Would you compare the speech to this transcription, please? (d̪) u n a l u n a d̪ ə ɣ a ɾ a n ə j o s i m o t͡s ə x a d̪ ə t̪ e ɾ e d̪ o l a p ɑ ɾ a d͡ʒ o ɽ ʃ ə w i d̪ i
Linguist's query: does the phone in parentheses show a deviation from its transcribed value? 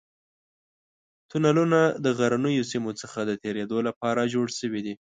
yes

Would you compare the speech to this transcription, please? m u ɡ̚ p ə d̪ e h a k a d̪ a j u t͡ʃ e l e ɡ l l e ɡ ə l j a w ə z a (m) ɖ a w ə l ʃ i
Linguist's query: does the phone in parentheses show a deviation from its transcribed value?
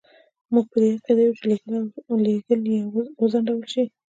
yes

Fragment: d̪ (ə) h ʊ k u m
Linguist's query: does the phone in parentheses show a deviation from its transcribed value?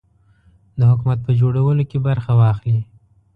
no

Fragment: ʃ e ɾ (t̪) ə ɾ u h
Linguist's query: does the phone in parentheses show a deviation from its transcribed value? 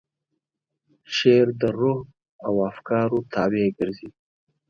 yes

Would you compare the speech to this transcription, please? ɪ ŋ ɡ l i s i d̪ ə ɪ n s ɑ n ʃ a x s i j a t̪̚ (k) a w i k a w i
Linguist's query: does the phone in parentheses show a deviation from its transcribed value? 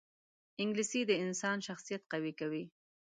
yes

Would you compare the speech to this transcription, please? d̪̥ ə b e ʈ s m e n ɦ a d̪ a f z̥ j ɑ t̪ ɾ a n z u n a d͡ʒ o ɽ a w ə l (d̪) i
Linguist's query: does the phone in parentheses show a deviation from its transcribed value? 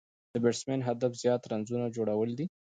no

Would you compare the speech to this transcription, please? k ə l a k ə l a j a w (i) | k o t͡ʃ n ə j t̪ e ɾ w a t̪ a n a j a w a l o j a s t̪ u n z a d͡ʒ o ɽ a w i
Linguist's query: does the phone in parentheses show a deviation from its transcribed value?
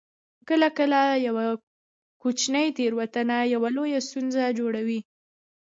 yes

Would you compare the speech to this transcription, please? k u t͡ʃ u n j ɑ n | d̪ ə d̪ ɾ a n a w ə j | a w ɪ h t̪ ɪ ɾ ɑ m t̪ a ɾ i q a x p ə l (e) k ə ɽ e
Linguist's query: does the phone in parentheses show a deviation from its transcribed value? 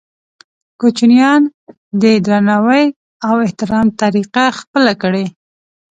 yes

